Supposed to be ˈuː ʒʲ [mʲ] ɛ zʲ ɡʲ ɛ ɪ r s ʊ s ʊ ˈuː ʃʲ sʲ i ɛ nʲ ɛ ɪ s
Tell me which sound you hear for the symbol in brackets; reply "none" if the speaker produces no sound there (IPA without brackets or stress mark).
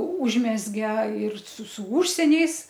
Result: mʲ